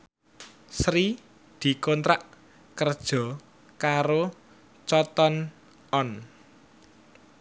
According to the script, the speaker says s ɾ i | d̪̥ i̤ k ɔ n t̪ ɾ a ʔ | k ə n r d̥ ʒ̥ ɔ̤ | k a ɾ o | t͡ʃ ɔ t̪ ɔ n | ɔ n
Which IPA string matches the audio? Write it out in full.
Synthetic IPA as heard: s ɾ i | d̪̥ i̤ k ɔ n t̪ ɾ a ʔ | k ə r d̥ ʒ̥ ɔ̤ | k a ɾ o | t͡ʃ ɔ t̪ ɔ n | ɔ n